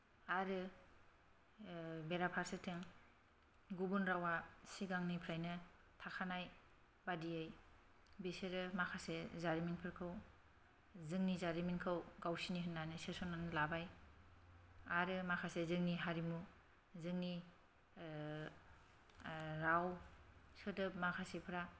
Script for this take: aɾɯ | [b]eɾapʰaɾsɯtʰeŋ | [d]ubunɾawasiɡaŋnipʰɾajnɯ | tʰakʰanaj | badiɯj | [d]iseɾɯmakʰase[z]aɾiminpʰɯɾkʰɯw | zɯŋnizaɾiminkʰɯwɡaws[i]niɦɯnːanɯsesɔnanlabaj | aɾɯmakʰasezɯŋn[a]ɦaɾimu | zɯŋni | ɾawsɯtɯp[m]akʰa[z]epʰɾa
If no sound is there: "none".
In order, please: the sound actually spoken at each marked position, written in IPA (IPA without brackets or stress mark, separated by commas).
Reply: b, ɡ, b, z, i, i, m, s